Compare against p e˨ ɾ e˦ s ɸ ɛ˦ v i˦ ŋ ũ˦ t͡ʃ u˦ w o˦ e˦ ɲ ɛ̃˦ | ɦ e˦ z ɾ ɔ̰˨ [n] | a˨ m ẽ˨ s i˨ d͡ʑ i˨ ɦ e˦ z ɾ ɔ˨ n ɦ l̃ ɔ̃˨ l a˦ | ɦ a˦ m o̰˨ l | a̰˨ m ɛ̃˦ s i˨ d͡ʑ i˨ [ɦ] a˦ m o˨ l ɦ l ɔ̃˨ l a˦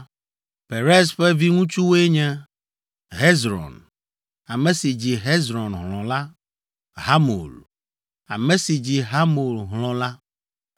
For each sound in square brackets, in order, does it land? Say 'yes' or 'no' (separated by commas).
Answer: yes, yes